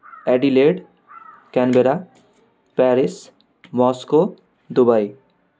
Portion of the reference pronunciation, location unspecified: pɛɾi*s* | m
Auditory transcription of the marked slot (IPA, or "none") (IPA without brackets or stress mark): s